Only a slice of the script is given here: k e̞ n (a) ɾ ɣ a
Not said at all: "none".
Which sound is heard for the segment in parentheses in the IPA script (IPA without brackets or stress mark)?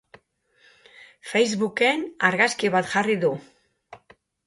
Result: a